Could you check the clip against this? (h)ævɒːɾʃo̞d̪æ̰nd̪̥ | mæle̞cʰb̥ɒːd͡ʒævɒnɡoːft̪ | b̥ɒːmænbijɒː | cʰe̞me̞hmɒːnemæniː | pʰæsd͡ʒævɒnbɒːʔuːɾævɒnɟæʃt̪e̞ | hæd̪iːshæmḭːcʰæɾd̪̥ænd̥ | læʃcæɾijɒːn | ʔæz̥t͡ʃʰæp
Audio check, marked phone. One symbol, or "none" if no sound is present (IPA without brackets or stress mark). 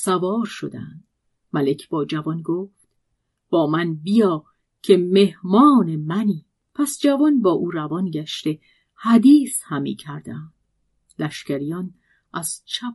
s